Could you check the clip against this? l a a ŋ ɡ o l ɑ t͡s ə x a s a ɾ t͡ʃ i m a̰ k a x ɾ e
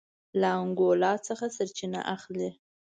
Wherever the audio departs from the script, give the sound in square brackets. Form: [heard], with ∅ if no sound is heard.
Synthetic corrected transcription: l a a ŋ ɡ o l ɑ t͡s ə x a s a ɾ t͡ʃ i [n] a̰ [ʔ] a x [l] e